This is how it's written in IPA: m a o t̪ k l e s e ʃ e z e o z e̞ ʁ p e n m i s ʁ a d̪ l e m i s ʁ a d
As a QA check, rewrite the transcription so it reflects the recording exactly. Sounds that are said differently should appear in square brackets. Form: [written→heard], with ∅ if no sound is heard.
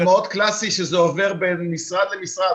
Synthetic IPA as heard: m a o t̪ k l [e→a] s [e→i] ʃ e z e o [z→v] e̞ ʁ [p→b] e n m i s ʁ a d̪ l e m i s ʁ a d